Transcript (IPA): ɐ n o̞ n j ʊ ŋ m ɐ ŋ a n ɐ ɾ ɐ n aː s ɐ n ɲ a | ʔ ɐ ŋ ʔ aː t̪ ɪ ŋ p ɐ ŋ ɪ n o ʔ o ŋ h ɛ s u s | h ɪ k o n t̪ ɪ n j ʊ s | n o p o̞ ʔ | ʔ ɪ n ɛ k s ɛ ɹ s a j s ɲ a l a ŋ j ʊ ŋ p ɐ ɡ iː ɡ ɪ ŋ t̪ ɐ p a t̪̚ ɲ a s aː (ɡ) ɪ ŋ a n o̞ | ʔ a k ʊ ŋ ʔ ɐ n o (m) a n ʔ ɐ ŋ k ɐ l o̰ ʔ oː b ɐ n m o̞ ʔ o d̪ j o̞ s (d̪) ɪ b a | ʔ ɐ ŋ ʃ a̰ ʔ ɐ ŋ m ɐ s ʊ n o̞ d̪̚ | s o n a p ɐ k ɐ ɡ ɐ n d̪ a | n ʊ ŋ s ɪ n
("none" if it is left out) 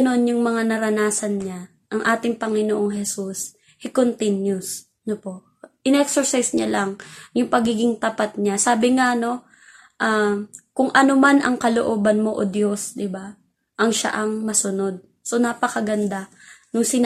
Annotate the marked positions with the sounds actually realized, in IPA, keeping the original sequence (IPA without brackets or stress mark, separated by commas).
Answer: b, m, d̪